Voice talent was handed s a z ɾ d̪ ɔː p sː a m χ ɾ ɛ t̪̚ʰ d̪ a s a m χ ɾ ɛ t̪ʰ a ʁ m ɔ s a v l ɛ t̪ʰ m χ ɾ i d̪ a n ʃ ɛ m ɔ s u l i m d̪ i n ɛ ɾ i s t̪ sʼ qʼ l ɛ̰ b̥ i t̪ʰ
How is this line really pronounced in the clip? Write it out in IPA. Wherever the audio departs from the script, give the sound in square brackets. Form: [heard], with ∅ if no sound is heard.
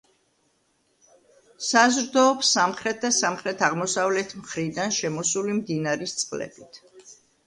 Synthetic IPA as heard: s a z ɾ d̪ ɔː p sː a m χ ɾ ɛ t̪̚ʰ d̪ a s a m χ ɾ ɛ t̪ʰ a ʁ m ɔ s a v l ɛ t̪ʰ m χ ɾ i d̪ a n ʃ ɛ m ɔ s u l i m d̪ i n [a] ɾ i s t̪ sʼ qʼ l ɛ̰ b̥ i t̪ʰ